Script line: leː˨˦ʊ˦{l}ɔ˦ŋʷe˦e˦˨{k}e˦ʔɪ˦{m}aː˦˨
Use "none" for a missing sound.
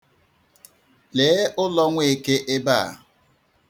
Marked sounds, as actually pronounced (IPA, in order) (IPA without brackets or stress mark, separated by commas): l, k, b